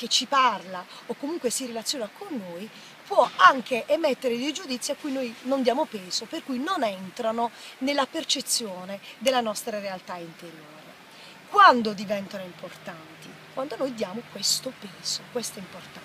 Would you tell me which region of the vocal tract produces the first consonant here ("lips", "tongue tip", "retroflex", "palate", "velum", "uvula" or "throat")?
velum